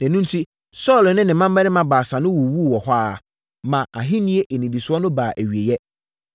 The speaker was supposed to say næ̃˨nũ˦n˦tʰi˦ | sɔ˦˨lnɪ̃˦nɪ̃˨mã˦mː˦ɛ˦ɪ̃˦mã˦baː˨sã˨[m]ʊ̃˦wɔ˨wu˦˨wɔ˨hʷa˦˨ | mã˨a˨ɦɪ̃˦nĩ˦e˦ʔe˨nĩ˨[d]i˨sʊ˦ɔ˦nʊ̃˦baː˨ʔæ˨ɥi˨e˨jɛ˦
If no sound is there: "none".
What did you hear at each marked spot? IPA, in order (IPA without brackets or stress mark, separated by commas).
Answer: n, d